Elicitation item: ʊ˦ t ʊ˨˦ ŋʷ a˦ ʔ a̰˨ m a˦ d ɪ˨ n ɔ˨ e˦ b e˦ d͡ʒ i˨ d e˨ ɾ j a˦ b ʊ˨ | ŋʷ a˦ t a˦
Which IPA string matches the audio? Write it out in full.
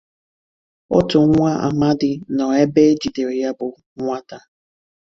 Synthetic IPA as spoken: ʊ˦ t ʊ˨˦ ŋʷ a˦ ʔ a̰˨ m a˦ d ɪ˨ n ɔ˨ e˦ b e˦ d͡ʒ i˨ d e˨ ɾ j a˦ b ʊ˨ | ŋʷ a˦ t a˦